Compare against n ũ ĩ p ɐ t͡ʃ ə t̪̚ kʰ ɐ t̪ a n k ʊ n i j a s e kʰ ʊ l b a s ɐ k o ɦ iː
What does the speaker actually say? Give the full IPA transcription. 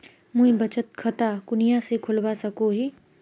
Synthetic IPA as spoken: m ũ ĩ b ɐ t͡ʃ ə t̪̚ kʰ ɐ t̪ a k ʊ n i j a s e kʰ ʊ l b a s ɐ k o ɦ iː